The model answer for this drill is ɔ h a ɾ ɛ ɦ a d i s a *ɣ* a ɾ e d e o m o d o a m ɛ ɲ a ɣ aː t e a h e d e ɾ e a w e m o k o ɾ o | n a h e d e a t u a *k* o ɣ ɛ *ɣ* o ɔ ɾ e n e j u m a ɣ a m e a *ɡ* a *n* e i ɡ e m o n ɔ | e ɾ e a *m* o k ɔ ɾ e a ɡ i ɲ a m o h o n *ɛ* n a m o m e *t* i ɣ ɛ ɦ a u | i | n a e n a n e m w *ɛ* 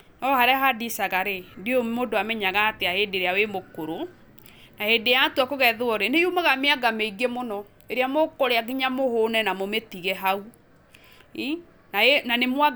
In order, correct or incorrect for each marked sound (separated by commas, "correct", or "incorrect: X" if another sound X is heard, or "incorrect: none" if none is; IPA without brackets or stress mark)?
correct, correct, incorrect: ð, correct, incorrect: m, correct, correct, correct, incorrect: a